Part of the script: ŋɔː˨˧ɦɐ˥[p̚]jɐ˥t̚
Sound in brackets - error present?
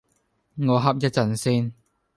no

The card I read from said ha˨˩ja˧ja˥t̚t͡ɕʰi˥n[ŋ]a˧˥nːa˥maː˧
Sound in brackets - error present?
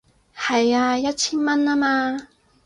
yes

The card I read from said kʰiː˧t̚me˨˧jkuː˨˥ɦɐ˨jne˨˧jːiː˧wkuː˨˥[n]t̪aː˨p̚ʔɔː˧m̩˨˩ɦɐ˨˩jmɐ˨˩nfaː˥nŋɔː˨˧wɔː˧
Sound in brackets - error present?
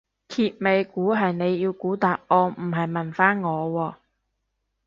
yes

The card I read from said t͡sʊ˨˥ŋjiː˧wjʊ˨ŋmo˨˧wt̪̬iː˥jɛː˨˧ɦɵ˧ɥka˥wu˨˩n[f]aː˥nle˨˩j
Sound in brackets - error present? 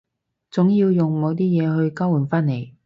no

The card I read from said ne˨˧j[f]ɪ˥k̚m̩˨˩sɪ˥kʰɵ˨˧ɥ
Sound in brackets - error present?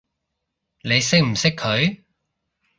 yes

